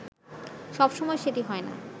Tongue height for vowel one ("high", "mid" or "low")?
mid